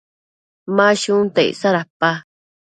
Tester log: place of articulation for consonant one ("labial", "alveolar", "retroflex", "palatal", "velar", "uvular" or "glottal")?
labial